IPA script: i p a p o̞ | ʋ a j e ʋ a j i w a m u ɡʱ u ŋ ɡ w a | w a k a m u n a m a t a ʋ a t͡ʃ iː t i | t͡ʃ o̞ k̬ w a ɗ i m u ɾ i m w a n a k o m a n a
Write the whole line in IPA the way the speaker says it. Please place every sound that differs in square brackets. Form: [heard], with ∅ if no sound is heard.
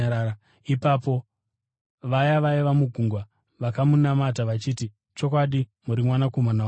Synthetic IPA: i p a p o̞ | ʋ a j [a] ʋ a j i [ʋ] a m u ɡʱ u ŋ ɡ w a | [ʋ] a k a m u n a m a t a ʋ a t͡ʃ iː t i | t͡ʃ o̞ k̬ w a ɗ i m u ɾ i m w a n a k o m a n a